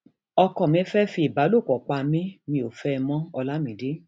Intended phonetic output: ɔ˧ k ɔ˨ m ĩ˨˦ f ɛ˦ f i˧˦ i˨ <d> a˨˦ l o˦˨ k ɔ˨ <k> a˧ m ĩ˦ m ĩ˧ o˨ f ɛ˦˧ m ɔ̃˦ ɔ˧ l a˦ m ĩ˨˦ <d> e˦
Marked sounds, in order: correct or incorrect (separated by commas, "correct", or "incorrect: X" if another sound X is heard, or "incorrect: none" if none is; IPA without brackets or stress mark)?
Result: incorrect: b, incorrect: k͡p, correct